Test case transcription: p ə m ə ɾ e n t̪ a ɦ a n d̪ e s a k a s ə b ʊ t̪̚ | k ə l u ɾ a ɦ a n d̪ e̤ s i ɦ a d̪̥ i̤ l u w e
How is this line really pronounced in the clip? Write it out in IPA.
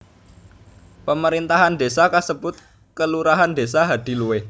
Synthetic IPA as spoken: p ə m ə ɾ i n t̪ a ɦ a n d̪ e s a k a s ə b ʊ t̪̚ | k ə l u ɾ a ɦ a n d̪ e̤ s a ɦ a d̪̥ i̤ l u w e